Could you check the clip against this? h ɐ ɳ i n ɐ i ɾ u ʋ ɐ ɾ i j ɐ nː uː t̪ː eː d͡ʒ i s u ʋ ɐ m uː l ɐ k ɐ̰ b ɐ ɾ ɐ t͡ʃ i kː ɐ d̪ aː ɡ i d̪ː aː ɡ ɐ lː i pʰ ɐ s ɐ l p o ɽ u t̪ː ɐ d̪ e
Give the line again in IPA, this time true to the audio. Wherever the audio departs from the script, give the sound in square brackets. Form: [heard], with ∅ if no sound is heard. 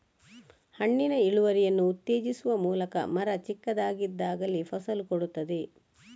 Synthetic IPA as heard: h ɐ [ɳː] i n ɐ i [ɭ] u ʋ ɐ ɾ i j ɐ nː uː t̪ː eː d͡ʒ i s u ʋ ɐ m uː l ɐ k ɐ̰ [m] ɐ ɾ ɐ t͡ʃ i kː ɐ d̪ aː ɡ i d̪ː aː ɡ ɐ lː i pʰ ɐ s ɐ l [k] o ɽ u t̪ː ɐ d̪ e